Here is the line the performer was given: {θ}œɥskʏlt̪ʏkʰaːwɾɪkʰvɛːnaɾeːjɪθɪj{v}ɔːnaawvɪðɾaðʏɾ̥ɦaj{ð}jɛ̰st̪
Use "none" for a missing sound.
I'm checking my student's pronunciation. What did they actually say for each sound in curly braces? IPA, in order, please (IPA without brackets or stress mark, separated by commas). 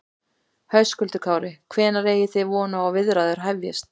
h, v, v